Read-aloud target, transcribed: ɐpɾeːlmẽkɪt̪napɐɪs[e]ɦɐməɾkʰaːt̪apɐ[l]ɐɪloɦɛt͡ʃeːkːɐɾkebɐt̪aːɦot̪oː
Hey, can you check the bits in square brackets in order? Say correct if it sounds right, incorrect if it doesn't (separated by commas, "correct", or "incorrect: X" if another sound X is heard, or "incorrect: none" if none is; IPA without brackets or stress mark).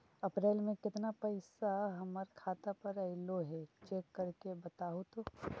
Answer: incorrect: a, incorrect: ɾ